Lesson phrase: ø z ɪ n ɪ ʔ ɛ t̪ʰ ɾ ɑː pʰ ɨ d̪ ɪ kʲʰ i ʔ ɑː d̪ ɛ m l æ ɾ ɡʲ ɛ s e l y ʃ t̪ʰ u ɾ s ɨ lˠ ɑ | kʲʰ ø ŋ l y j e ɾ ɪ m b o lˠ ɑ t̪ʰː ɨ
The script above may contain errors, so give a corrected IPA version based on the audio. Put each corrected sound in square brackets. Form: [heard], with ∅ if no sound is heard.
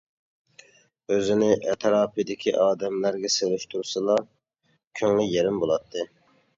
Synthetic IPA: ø z ɪ n ɪ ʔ ɛ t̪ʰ ɾ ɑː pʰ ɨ d̪ ɪ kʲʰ i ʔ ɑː d̪ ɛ m l æ ɾ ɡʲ ɛ s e l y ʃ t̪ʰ u ɾ s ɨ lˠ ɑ | kʲʰ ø ŋ l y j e ɾ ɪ m b o lˠ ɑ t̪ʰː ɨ